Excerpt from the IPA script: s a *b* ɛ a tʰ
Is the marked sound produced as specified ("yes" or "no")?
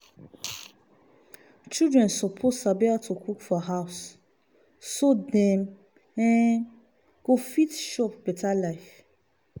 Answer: yes